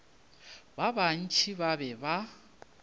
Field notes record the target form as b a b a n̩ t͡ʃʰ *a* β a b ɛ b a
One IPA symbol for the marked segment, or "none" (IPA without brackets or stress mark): i